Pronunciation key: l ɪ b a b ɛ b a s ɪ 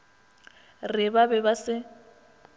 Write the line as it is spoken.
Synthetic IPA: r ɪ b a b ɛ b a s ɪ